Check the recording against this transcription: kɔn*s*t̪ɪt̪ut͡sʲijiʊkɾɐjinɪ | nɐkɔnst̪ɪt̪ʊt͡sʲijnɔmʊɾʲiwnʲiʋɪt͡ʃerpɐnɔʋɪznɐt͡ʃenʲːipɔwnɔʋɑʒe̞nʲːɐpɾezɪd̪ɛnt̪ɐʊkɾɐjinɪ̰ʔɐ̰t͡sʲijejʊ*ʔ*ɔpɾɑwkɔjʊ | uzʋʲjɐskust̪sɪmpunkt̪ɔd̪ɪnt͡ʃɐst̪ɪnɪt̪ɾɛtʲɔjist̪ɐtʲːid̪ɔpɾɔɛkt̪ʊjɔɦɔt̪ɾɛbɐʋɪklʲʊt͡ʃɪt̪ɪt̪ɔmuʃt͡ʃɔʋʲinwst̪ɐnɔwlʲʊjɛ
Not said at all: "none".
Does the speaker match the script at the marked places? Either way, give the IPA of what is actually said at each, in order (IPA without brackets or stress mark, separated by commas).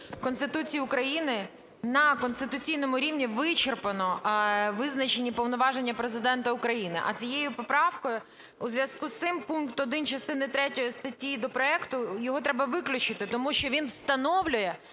s, p